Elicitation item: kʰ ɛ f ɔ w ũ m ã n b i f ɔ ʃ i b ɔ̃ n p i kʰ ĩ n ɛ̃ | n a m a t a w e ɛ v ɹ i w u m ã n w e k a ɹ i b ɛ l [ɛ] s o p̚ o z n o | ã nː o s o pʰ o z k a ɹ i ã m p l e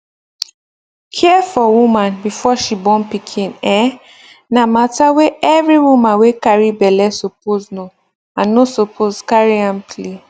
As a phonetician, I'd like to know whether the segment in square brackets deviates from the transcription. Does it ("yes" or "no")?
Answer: no